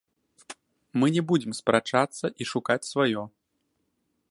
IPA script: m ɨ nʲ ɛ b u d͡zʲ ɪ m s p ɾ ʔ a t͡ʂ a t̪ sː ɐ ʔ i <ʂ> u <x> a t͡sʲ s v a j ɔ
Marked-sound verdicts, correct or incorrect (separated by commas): correct, incorrect